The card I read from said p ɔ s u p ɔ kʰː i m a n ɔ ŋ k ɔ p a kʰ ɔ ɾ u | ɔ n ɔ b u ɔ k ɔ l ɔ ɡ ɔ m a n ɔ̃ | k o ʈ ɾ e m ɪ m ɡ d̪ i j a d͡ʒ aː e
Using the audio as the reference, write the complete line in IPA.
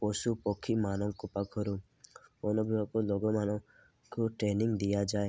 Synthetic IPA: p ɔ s u p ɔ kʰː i m a n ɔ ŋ k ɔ p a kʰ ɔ ɾ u | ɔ n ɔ b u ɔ k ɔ l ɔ ɡ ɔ m a n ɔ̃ | k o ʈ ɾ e n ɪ ŋ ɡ d̪ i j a d͡ʒ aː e